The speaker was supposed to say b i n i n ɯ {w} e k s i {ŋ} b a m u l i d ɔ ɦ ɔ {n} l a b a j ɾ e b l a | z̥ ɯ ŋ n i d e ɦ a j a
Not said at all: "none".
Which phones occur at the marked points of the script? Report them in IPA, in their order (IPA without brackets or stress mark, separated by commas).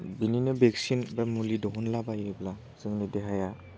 b, n, n